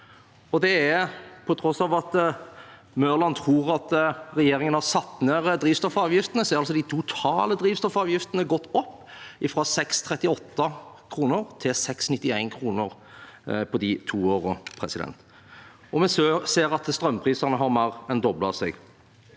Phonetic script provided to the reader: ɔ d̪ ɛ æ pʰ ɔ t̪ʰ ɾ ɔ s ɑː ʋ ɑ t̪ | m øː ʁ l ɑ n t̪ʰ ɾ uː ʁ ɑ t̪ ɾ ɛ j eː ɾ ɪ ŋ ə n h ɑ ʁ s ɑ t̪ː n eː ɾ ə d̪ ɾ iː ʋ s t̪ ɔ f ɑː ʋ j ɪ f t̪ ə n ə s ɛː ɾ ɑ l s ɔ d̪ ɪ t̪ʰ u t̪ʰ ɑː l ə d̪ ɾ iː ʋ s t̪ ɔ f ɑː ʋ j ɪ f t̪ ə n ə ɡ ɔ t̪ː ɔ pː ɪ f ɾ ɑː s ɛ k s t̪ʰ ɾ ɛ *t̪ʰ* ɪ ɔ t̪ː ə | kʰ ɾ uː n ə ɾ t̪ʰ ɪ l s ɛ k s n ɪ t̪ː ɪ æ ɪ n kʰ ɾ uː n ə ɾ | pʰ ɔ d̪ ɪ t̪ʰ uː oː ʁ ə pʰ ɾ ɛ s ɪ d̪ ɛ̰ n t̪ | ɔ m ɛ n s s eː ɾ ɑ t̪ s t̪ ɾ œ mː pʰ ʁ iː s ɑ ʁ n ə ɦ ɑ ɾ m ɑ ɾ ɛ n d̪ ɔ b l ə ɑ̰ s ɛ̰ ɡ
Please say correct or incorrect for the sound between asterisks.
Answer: incorrect: t̪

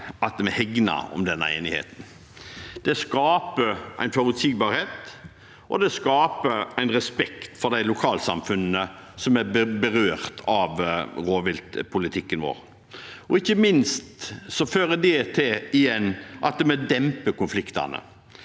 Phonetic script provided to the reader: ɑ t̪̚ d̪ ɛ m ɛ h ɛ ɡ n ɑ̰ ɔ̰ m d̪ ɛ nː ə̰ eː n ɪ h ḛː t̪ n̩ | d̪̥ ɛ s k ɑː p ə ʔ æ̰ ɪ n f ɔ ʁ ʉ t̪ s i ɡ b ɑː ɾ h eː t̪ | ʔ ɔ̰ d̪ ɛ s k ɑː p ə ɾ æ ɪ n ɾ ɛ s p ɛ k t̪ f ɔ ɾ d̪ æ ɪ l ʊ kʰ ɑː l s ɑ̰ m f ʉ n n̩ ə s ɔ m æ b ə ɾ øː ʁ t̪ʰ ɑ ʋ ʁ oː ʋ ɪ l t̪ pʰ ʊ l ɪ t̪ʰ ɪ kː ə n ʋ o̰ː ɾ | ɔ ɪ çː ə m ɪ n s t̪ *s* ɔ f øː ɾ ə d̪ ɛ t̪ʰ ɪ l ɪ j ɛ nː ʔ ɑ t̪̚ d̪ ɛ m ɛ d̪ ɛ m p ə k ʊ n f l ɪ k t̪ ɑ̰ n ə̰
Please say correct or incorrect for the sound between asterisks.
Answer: correct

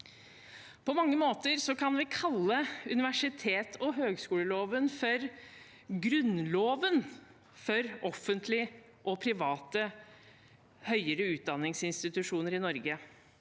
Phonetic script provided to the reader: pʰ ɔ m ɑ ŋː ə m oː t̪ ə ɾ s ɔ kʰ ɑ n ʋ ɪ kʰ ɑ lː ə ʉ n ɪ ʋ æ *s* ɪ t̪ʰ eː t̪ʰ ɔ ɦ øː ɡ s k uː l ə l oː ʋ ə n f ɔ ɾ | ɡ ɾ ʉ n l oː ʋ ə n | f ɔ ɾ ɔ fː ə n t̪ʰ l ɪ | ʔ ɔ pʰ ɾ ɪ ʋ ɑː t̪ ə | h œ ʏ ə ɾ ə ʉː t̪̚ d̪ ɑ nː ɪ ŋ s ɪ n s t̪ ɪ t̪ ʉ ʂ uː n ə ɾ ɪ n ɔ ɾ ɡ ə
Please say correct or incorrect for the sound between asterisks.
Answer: incorrect: ʂ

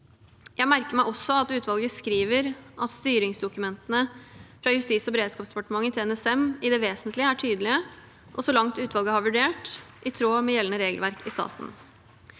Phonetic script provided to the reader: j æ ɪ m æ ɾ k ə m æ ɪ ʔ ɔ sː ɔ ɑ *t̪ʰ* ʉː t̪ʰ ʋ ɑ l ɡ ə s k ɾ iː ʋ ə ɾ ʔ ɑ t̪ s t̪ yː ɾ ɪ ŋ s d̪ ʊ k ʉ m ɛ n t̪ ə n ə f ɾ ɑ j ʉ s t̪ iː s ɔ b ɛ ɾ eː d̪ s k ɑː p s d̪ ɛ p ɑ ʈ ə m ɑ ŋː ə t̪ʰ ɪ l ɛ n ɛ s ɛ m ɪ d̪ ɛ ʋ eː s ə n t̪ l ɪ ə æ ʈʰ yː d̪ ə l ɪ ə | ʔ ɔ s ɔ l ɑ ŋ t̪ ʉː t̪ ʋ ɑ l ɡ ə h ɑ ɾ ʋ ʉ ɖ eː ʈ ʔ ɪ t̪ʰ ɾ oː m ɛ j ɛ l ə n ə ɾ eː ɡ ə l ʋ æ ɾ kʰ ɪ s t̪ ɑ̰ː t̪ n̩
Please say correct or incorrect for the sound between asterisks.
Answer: incorrect: t̪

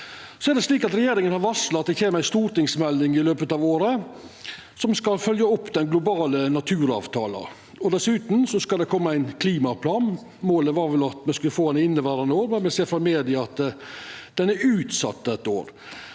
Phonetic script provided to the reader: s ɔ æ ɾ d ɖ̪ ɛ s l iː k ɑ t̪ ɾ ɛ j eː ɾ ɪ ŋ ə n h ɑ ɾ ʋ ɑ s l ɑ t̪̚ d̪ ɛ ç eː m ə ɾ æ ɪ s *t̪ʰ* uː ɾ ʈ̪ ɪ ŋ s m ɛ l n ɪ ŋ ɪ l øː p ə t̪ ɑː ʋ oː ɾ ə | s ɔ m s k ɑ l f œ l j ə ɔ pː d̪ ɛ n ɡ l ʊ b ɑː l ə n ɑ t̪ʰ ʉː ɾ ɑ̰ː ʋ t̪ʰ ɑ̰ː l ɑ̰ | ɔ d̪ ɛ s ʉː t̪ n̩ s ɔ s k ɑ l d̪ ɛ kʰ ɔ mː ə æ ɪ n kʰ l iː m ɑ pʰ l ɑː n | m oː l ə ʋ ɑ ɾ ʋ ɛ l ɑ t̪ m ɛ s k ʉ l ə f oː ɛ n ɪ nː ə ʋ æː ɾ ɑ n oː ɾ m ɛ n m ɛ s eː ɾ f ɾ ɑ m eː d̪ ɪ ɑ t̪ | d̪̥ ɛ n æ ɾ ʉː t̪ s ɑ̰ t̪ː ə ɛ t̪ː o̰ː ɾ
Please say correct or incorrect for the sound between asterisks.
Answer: incorrect: t̪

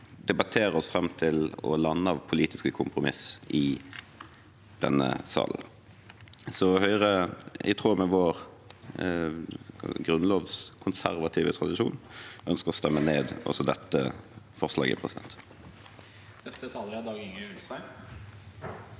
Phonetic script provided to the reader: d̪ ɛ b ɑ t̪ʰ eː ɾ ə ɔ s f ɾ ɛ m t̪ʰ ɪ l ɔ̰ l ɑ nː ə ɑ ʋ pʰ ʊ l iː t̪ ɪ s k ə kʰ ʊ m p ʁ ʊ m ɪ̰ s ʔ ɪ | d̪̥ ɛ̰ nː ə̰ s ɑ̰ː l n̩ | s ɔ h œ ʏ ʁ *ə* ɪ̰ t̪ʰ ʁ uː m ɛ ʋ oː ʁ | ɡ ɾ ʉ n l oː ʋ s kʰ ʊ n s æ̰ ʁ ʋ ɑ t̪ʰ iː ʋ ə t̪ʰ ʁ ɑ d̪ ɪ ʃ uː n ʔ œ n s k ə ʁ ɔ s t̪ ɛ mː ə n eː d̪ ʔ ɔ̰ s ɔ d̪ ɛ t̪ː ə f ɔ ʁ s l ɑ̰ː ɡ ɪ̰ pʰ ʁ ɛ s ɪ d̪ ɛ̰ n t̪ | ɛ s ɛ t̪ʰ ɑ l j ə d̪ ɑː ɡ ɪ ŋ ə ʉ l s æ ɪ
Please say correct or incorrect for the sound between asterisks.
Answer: correct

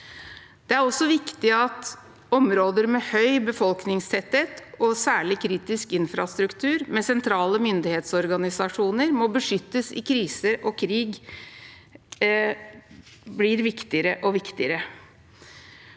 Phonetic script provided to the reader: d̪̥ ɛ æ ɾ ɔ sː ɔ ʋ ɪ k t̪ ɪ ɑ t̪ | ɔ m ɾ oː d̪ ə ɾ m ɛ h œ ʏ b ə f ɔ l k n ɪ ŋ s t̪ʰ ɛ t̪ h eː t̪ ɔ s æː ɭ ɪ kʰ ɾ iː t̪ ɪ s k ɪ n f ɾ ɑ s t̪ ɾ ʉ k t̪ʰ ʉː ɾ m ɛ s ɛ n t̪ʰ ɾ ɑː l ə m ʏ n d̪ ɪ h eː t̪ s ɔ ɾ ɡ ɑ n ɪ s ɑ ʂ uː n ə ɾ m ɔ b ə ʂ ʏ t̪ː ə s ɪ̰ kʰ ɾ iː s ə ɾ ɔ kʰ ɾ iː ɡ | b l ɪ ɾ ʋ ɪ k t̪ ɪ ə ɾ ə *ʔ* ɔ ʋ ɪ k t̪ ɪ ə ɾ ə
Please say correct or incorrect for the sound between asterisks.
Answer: correct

